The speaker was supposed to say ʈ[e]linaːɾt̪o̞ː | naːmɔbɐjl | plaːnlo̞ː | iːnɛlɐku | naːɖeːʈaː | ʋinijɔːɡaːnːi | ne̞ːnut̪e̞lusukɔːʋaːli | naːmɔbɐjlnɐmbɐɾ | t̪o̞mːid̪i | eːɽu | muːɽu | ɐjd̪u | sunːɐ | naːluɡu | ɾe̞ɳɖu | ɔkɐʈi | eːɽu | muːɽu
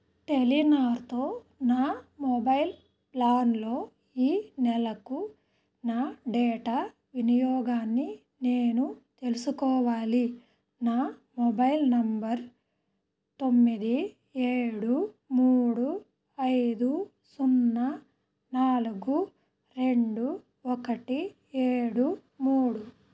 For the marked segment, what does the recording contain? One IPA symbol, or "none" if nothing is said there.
e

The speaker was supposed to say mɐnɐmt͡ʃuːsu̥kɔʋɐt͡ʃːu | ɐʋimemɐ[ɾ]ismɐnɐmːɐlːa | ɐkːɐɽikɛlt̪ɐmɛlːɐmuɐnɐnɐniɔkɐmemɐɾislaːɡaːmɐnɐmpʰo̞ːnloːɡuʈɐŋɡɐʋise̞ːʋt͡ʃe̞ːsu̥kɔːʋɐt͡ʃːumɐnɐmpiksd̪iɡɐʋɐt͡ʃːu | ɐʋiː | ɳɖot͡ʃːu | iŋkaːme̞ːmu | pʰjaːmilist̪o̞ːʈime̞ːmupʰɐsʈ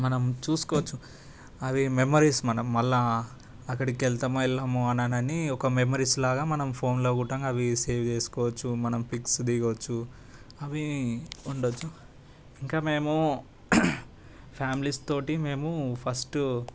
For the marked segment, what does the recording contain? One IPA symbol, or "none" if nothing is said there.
ɾ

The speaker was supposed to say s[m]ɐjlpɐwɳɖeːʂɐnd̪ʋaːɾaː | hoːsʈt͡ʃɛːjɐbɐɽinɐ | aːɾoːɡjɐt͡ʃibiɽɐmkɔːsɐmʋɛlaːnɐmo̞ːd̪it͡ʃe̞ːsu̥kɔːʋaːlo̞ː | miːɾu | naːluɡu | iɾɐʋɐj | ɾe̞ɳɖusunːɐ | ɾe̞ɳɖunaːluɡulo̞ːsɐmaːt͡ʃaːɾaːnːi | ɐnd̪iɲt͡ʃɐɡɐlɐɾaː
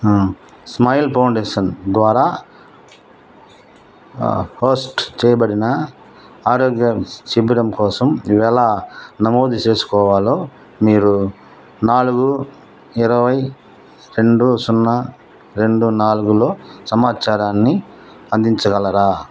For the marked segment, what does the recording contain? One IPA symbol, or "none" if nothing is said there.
m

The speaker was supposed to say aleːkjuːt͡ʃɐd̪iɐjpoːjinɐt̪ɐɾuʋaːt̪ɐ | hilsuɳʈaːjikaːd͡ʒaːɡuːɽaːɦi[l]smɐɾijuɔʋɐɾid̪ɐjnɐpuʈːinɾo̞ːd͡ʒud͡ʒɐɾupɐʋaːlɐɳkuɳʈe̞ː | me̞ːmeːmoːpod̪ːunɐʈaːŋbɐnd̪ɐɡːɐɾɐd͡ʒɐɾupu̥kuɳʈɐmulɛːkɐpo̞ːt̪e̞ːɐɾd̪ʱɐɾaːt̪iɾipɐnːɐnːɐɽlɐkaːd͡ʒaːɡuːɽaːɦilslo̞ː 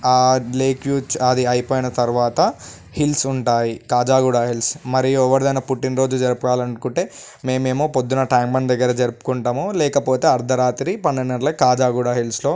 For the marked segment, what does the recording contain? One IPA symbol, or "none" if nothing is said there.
l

